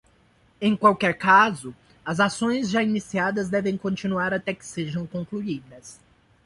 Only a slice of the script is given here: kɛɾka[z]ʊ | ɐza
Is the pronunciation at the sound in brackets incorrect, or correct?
correct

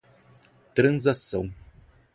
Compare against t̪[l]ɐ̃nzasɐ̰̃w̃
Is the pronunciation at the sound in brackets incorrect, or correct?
incorrect: ɾ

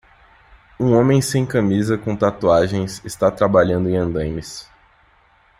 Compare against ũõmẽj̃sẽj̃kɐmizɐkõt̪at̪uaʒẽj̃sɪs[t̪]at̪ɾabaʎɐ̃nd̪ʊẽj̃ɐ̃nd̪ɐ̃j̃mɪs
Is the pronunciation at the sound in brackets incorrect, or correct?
correct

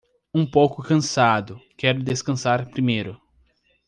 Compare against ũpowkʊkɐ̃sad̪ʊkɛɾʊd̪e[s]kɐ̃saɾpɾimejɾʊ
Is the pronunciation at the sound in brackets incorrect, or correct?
correct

